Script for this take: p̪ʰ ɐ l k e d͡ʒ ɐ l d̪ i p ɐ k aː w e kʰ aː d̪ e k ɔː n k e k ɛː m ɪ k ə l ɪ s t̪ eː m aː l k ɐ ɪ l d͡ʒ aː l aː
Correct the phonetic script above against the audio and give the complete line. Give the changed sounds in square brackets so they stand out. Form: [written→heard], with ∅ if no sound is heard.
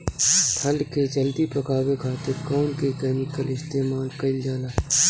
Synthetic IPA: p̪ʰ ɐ l k e d͡ʒ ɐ l d̪ i p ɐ k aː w e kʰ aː [d̪→t̪] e k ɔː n k e k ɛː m ɪ k ə l ɪ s t̪ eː m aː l k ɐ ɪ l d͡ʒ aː l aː